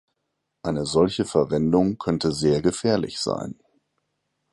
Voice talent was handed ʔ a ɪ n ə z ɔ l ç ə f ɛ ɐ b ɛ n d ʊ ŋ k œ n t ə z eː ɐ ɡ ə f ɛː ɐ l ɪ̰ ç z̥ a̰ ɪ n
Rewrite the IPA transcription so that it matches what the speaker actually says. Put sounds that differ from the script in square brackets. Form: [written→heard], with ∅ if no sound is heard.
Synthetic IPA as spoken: ʔ a ɪ n ə z ɔ l ç ə f ɛ ɐ [b→v] ɛ n d ʊ ŋ [k→kʰ] œ n t ə z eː ɐ ɡ ə f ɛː ɐ l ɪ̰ ç z̥ a̰ ɪ n